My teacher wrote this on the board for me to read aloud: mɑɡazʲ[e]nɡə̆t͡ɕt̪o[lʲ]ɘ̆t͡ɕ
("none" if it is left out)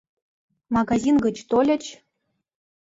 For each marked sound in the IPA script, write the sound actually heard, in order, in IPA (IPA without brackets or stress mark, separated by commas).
i, lʲ